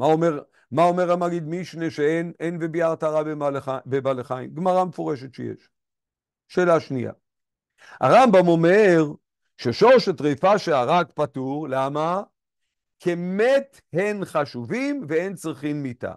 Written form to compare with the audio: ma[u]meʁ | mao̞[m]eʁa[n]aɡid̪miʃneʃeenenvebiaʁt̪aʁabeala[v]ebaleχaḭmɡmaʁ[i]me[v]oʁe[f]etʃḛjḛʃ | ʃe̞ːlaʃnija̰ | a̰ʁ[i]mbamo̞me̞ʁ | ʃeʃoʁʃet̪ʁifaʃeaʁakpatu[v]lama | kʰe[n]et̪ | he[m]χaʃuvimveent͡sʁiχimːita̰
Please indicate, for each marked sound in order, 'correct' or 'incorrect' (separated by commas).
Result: incorrect, correct, incorrect, incorrect, incorrect, incorrect, incorrect, incorrect, incorrect, incorrect, incorrect